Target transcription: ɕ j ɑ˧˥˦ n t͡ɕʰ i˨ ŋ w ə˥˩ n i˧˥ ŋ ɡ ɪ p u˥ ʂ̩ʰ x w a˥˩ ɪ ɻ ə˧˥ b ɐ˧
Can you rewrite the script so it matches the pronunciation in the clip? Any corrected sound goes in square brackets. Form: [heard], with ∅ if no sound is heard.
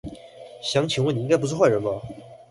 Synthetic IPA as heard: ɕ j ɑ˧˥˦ [ŋ] t͡ɕʰ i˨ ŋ w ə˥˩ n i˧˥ ŋ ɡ ɪ p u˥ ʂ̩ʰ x w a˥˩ ɪ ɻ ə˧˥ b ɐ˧